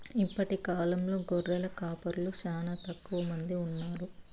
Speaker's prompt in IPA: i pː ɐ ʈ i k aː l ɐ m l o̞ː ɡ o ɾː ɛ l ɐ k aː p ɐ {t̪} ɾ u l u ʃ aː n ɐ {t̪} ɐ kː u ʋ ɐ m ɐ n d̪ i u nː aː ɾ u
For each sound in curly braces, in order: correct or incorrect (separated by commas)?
incorrect, correct